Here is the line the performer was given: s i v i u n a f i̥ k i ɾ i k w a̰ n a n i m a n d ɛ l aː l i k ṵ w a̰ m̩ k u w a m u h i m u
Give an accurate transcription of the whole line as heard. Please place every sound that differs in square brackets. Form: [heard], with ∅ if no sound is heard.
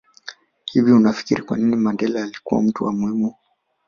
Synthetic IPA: [h] i v i u n a f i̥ k i ɾ i k w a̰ n [i] n i m a n d ɛ l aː l i k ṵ w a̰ m̩ [t] u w a m u h i m u